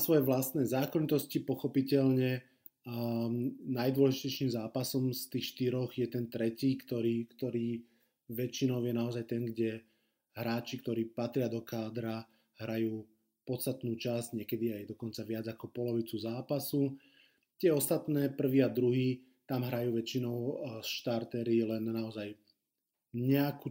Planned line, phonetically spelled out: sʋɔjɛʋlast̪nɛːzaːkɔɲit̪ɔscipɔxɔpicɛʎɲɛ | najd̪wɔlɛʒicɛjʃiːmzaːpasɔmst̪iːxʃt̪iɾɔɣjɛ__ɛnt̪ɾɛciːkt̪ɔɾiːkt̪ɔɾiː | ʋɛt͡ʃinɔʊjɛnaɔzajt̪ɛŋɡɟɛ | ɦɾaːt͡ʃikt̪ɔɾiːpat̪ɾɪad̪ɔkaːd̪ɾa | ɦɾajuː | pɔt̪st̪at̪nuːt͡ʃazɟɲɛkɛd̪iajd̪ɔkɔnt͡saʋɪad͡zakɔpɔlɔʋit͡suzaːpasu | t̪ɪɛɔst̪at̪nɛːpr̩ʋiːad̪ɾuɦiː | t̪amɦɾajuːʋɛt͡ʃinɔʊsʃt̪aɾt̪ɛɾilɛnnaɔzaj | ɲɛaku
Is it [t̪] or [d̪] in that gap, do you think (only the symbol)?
t̪